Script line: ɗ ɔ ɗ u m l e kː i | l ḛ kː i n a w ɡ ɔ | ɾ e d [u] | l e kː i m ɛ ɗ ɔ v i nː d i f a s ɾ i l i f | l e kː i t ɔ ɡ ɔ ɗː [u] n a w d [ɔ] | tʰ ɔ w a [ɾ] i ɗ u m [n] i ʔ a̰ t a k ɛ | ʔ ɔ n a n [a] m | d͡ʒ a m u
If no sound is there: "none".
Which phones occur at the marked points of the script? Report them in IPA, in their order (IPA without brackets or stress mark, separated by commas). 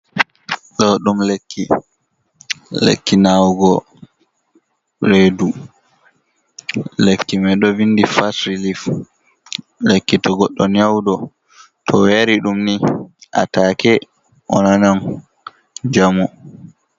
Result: u, ɔ, ɔ, ɾ, n, a